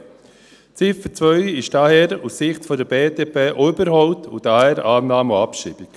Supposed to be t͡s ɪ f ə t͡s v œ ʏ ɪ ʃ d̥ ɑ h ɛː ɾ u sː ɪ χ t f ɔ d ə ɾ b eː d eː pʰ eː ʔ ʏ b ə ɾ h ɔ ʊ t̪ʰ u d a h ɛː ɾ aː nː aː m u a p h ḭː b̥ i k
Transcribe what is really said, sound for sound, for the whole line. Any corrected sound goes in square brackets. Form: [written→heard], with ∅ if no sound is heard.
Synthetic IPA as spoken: t͡s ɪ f ə t͡s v œ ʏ ɪ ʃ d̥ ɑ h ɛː ɾ u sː ɪ χ t f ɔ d ə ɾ b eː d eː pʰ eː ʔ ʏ b ə ɾ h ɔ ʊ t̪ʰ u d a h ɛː ɾ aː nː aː m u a p [h→ʃ] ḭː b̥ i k